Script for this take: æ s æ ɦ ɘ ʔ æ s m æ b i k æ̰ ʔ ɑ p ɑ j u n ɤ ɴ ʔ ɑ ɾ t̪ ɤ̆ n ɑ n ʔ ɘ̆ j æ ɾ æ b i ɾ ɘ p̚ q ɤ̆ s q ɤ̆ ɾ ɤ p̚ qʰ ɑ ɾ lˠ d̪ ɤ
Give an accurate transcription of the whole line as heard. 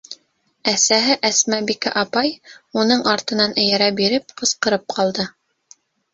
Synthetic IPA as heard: æ s æ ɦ ɘ ʔ æ s m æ b i k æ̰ ʔ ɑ p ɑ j u n ɤ ɴ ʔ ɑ ɾ t̪ ɤ̆ n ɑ n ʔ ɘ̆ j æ ɾ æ b i ɾ ɘ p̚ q ɤ̆ s q ɤ̆ ɾ ɤ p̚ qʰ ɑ lˠ d̪ ɤ